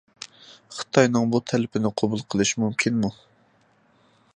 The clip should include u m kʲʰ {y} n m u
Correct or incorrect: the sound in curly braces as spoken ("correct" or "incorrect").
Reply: incorrect